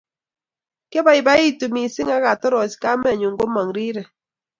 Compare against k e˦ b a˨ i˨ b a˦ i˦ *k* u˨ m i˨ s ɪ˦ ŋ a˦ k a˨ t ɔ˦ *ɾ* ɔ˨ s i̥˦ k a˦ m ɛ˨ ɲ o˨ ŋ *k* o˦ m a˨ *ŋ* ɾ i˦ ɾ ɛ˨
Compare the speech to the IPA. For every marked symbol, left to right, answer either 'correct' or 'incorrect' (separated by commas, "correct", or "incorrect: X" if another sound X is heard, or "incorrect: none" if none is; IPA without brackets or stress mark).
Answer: incorrect: t, correct, incorrect: ɡ, correct